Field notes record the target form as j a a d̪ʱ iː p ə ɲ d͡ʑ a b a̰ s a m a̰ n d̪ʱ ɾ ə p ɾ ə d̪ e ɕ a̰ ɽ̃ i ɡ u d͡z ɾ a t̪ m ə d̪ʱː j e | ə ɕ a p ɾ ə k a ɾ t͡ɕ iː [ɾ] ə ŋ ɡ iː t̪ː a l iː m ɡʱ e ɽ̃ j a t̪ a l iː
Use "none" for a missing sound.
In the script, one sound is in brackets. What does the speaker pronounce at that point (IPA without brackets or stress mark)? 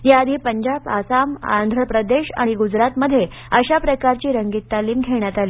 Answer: ɾ